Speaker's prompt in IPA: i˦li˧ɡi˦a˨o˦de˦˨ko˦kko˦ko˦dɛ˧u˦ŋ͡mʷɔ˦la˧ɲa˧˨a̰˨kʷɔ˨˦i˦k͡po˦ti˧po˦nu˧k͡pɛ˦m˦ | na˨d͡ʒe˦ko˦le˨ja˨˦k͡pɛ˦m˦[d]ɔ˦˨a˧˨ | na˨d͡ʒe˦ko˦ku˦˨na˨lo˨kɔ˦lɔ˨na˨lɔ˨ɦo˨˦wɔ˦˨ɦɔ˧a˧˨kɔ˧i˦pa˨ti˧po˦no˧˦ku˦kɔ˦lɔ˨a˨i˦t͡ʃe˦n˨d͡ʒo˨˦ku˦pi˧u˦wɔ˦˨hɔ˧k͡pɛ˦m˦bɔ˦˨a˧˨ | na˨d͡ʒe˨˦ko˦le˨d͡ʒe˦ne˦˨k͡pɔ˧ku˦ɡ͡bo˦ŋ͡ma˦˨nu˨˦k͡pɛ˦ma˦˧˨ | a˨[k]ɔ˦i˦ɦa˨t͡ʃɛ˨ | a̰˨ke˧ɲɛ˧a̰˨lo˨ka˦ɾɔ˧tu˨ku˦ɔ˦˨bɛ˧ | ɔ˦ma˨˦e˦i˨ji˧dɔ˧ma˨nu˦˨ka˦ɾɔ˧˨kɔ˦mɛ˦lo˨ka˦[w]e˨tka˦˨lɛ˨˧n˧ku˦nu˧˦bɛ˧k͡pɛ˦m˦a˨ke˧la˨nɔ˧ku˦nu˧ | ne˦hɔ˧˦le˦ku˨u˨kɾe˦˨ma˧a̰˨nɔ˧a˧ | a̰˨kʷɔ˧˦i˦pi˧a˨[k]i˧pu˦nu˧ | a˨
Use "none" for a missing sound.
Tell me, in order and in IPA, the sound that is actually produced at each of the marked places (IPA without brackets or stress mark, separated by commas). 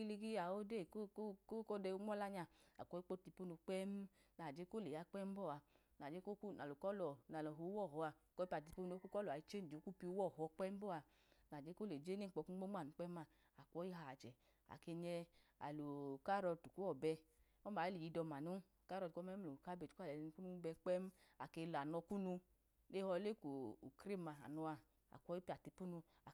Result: b, k, b, t